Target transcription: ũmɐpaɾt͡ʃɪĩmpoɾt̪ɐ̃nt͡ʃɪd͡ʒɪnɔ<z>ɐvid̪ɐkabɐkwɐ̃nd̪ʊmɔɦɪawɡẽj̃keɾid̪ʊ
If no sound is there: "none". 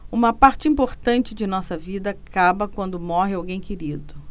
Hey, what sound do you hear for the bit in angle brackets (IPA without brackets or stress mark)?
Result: s